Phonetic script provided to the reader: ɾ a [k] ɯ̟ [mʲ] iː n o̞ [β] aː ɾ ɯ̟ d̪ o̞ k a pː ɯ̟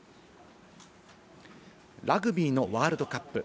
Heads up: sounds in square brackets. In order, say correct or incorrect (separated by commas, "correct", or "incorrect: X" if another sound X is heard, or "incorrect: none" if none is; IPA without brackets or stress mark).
incorrect: ɡ, incorrect: bʲ, correct